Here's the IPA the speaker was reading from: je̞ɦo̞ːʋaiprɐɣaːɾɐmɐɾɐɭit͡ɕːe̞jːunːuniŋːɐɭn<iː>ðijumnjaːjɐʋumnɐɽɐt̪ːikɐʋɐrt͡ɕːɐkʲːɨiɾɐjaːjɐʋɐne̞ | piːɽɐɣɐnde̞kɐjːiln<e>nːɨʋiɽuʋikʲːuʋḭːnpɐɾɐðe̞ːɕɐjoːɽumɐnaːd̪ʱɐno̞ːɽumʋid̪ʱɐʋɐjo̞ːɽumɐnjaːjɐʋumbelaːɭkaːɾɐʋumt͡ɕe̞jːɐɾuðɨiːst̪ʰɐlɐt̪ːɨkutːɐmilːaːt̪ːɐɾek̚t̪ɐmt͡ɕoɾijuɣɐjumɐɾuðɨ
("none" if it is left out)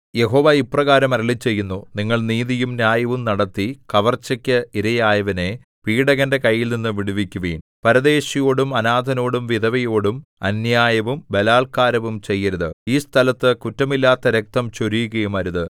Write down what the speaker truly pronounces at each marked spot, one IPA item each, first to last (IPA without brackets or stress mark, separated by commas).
iː, i